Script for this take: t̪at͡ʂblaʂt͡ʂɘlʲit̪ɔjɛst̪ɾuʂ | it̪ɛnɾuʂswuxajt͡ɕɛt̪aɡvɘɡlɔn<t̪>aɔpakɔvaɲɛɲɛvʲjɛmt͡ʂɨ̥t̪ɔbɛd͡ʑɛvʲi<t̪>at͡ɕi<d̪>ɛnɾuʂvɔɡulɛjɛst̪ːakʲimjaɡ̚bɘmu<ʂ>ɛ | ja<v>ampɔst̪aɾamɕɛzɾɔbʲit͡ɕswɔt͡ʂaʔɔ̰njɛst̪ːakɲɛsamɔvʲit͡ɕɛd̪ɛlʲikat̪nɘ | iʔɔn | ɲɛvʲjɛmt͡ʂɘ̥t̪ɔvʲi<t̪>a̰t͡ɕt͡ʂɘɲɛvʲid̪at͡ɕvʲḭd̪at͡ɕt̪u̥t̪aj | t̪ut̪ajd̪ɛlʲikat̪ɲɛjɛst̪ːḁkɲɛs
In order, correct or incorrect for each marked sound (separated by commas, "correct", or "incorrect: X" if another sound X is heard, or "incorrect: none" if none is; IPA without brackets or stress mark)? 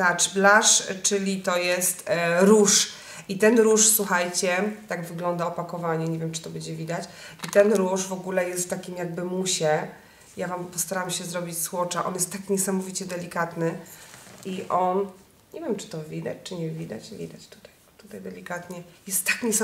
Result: incorrect: d̪, incorrect: d̪, incorrect: t̪, incorrect: ɕ, correct, incorrect: d̪